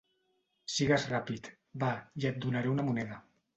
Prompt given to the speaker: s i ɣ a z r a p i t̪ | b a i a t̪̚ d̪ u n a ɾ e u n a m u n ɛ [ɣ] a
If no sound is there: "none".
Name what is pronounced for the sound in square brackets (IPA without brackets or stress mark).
ð